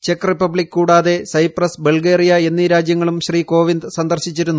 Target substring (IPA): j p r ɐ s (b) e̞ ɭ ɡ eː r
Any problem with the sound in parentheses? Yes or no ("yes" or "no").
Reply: no